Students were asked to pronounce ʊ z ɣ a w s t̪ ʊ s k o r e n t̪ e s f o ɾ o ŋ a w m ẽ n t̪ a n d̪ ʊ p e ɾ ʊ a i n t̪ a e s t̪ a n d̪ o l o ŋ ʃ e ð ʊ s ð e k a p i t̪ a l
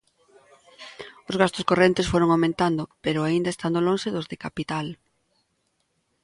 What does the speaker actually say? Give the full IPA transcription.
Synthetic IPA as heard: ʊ z ɣ a s t̪ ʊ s k o r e n t̪ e s f o ɾ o ŋ a w m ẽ n t̪ a n d̪ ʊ p e ɾ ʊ a i n d̪ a e s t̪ a n d̪ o l o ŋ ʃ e ð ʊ z ð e k a p i t̪ a l